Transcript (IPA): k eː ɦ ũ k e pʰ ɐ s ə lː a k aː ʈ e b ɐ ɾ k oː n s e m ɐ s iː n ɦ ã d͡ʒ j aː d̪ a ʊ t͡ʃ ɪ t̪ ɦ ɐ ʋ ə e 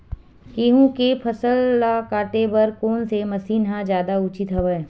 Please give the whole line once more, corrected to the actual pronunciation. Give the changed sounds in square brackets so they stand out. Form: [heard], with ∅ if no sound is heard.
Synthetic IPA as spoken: k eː ɦ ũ k e pʰ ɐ s ə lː a k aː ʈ e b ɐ ɾ k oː n s e m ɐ s iː n ɦ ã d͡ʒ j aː d̪ a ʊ t͡ʃ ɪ t̪ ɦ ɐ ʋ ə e